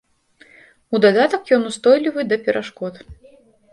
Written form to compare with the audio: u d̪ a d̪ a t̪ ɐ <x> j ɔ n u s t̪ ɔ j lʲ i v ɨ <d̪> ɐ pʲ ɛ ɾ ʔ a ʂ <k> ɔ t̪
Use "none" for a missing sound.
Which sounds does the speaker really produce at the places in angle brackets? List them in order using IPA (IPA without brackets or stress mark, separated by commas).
k, d̪, k